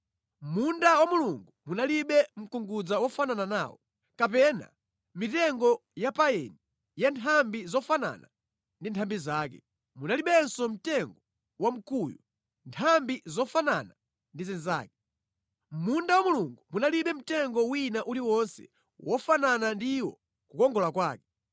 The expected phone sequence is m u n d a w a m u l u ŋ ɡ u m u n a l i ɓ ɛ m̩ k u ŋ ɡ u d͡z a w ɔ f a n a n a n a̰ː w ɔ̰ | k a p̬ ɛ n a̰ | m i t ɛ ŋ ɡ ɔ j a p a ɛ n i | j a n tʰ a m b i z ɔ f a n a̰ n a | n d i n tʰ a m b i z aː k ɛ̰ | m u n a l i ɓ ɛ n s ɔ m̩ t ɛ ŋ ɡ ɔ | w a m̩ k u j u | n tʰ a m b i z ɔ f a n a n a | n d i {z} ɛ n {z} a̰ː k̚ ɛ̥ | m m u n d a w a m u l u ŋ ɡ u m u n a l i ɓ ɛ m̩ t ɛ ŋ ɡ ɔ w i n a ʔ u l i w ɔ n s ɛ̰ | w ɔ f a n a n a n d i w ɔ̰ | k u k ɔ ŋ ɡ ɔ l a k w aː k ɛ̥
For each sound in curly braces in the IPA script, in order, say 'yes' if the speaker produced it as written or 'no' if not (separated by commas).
yes, yes